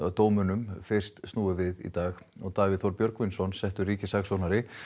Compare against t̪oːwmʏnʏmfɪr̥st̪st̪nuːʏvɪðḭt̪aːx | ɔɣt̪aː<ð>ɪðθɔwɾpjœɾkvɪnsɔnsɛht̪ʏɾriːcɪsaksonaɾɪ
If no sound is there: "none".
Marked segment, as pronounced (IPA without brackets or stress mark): v